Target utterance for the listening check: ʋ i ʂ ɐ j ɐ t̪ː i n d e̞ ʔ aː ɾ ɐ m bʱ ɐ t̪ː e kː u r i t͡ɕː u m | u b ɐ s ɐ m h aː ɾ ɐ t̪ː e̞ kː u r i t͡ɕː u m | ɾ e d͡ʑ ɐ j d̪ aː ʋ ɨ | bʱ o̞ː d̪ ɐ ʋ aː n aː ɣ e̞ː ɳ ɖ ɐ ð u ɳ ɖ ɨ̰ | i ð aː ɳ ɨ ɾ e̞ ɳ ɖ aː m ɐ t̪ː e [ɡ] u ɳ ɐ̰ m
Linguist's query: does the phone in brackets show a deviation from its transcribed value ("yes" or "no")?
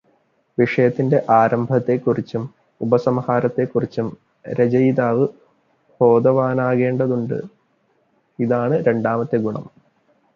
no